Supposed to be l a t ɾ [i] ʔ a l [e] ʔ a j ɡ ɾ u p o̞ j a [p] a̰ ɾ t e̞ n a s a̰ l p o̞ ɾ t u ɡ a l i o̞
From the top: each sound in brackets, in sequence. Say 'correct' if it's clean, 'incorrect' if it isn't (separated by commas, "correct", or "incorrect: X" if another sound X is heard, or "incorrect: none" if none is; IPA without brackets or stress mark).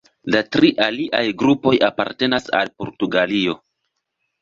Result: correct, incorrect: i, correct